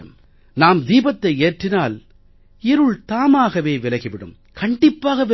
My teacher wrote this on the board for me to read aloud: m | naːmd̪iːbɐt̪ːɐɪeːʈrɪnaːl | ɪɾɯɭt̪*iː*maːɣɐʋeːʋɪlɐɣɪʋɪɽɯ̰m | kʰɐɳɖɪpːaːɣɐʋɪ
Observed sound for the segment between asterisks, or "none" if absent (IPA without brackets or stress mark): aː